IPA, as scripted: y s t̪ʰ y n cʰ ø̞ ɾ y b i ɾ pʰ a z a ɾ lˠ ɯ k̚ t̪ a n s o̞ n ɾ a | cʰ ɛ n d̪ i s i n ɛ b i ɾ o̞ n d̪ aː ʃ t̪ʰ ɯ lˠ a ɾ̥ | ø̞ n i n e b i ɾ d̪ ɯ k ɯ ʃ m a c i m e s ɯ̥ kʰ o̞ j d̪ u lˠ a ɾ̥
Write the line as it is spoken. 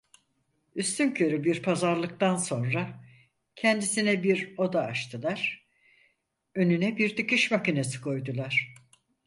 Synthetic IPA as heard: y s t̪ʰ y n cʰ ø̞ ɾ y b i ɾ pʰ a z a ɾ lˠ ɯ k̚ t̪ a n s o̞ n ɾ a | cʰ ɛ n d̪ i s i n ɛ b i ɾ o̞ d̪ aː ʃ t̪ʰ ɯ lˠ a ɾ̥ | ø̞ n y n ɛ b i ɾ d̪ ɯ k ɯ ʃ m a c i n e s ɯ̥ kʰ o̞ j d̪ u lˠ a ɾ̥